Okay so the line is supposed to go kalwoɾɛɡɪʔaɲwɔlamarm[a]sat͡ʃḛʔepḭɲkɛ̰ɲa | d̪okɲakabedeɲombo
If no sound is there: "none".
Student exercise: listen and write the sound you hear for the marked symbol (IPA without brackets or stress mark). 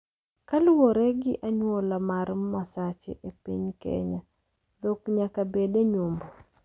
a